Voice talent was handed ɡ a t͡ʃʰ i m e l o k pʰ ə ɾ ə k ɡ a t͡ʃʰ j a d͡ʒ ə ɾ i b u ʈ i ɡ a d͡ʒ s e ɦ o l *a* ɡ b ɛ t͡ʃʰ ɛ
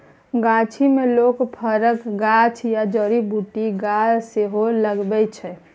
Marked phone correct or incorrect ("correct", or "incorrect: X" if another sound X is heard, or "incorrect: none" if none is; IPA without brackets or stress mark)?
incorrect: ə